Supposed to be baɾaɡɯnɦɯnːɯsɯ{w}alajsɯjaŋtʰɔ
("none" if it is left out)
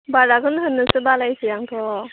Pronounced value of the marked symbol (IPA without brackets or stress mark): b